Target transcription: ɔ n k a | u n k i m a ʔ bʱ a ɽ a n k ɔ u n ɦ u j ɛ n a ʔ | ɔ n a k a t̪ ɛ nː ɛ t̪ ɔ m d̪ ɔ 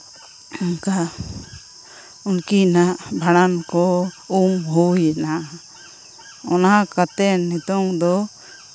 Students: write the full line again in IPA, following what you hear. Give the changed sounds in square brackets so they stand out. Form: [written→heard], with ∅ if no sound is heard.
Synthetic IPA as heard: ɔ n k a | u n k i [m→n] a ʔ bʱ a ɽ a n k ɔ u [n→m] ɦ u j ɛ n a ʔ | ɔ n a k a t̪ ɛ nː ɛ t̪ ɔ [m→ŋ] d̪ ɔ